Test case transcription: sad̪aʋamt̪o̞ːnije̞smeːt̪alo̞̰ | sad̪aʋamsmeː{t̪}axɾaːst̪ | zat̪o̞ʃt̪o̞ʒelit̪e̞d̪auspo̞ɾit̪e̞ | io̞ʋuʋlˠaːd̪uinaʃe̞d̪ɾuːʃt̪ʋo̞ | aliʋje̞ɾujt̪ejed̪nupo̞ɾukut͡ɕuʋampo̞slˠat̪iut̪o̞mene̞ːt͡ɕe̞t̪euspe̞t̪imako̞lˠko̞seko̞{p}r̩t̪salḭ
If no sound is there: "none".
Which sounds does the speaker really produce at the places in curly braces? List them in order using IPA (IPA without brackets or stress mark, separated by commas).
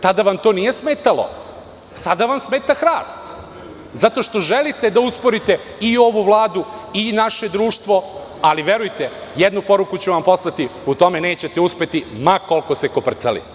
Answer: t̪, p